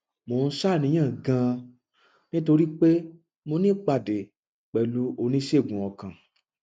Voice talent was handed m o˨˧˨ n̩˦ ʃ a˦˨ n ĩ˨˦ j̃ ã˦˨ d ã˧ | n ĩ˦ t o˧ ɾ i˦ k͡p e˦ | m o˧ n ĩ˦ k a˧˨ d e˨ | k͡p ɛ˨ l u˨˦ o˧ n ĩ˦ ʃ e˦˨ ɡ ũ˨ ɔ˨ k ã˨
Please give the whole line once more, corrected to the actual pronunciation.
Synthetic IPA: m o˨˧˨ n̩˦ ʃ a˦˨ n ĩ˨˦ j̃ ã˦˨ ɡ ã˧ | n ĩ˦ t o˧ ɾ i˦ k͡p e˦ | m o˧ n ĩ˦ k͡p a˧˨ d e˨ | k͡p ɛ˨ l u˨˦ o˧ n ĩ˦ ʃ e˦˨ ɡ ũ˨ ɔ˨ k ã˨